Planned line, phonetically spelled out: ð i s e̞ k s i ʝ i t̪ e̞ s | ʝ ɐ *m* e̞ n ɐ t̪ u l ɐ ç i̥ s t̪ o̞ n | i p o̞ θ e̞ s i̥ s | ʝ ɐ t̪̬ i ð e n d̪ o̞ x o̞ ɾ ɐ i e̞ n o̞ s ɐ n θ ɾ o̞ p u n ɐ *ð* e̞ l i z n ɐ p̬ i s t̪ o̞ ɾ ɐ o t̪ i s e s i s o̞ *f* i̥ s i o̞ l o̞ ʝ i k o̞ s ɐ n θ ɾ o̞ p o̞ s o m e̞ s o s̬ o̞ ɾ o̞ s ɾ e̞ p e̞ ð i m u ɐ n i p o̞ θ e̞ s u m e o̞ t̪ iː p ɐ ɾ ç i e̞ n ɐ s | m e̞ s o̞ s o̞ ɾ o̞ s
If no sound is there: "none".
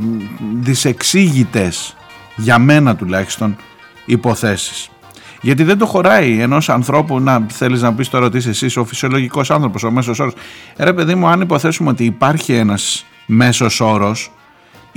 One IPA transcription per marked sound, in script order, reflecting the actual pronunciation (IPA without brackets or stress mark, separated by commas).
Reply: m, θ, f